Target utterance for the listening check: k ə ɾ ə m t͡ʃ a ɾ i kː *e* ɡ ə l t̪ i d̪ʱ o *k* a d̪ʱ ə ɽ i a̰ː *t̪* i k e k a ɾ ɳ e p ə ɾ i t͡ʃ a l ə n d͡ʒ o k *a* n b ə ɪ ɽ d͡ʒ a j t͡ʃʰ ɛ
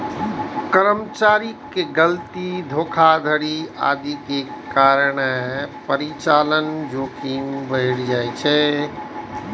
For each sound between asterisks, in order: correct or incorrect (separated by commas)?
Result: correct, incorrect, incorrect, incorrect